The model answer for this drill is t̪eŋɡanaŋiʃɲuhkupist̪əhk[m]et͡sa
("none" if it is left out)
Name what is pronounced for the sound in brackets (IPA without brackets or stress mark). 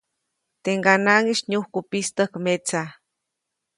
m